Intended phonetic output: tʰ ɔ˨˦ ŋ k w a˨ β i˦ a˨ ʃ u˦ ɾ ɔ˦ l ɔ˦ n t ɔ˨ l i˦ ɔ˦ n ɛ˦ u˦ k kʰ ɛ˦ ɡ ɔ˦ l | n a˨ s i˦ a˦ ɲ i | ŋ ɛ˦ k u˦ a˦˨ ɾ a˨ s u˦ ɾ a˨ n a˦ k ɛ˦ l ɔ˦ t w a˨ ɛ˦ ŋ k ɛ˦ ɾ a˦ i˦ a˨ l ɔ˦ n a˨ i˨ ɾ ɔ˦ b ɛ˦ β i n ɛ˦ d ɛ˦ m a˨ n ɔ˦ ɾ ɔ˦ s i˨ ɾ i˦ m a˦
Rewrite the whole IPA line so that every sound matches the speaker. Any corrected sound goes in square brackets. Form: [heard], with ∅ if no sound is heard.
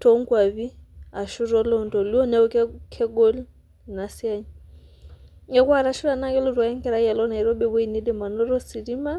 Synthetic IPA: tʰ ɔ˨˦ ŋ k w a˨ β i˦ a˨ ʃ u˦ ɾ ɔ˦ l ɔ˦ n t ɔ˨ l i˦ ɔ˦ n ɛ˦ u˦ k kʰ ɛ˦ ɡ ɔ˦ l | n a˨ s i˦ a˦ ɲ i | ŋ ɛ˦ k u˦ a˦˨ ɾ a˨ [ʃ] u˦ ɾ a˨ n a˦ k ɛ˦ l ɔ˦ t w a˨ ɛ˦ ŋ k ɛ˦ ɾ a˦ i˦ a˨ l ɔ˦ n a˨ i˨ ɾ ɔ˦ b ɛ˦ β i n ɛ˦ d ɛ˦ m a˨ n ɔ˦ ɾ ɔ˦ s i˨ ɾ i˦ m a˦